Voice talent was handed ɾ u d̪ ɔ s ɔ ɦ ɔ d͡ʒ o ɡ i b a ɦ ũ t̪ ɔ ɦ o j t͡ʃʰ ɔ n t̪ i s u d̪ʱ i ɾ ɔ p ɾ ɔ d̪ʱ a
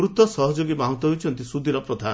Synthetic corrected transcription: ɾ u t̪ ɔ s ɔ ɦ ɔ d͡ʒ o ɡ i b a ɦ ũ t̪ ɔ ɦ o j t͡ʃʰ ɔ n t̪ i s u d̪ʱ i ɾ ɔ p ɾ ɔ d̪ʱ a